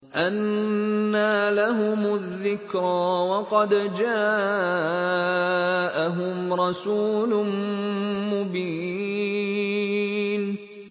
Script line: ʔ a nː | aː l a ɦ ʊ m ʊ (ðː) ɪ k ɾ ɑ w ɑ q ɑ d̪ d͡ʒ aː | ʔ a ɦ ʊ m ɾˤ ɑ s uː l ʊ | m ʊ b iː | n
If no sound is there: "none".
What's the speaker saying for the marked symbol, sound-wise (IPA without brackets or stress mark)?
ðː